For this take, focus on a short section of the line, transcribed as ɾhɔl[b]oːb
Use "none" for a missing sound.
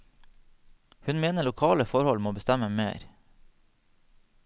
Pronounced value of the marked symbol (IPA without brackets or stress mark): m